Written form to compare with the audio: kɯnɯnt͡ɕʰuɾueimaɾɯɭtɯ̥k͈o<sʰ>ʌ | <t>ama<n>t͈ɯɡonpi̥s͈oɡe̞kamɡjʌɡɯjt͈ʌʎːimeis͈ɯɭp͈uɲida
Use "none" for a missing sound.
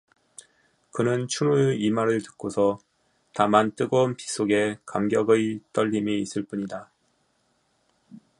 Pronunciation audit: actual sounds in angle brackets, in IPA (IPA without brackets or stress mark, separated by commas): sʰ, t, n